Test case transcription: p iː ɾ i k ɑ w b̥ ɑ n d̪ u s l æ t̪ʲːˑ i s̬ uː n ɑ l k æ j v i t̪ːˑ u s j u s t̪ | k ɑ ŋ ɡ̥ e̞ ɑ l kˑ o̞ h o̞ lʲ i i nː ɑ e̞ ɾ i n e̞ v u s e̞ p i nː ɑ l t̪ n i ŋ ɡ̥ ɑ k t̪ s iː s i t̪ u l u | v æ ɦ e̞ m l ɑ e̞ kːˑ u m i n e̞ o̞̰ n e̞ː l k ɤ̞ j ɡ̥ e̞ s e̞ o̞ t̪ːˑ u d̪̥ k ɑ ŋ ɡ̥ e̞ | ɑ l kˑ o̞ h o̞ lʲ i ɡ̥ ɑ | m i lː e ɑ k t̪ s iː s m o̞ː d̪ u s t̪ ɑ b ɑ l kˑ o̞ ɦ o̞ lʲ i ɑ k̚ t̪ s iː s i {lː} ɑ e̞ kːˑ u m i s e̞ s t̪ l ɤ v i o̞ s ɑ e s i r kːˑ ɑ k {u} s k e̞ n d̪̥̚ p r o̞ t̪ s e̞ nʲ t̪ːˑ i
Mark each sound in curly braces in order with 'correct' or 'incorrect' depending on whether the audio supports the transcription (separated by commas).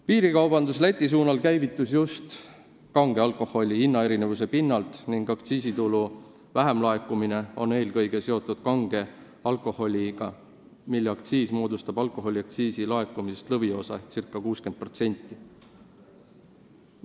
incorrect, incorrect